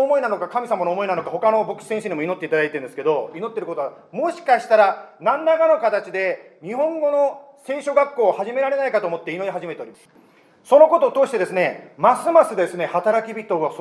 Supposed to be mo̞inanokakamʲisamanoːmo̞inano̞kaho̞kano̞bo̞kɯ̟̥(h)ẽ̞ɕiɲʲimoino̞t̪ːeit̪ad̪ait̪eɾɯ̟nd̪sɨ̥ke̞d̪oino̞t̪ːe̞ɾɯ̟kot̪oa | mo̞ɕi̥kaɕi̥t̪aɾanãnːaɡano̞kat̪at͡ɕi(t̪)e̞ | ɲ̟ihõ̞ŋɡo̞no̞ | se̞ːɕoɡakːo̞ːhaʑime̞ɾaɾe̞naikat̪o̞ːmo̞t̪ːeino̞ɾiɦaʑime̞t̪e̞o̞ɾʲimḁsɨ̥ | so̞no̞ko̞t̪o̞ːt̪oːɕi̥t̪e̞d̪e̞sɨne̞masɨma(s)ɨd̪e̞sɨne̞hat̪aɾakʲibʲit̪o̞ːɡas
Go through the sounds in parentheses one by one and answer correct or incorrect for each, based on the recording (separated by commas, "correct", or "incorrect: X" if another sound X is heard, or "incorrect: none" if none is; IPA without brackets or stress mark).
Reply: incorrect: s, incorrect: d̪, correct